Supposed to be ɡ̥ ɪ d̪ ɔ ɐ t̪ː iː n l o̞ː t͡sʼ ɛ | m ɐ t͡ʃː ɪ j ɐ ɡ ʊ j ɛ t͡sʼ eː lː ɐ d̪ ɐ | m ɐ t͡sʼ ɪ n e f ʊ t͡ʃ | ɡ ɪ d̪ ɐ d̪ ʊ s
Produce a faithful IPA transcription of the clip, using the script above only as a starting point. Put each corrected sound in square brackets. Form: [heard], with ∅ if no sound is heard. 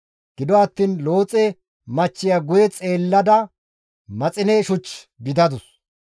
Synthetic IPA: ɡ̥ ɪ d̪ ɔ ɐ t̪ː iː n l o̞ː t͡sʼ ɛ | m ɐ t͡ʃː ɪ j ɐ ɡ ʊ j ɛ t͡sʼ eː lː ɐ d̪ ɐ | m ɐ t͡sʼ ɪ n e [ʃ] ʊ t͡ʃ | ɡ ɪ d̪ ɐ d̪ ʊ s